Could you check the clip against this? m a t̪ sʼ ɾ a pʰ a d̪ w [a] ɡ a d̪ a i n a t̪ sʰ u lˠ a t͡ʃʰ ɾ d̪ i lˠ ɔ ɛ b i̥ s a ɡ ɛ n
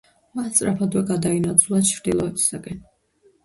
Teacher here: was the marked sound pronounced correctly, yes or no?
no